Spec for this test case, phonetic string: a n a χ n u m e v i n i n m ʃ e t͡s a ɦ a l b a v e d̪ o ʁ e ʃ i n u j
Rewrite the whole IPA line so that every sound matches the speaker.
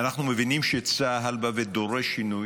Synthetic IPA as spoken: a n a χ n u m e v i n i m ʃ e t͡s a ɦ a l b a v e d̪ o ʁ e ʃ i n u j